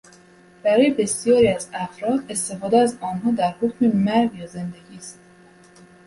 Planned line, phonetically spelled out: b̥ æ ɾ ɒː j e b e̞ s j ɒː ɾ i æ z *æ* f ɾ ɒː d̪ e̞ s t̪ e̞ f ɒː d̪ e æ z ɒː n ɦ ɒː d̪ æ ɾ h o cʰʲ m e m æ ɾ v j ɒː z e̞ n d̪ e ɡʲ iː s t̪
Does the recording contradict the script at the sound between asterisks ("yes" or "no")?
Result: no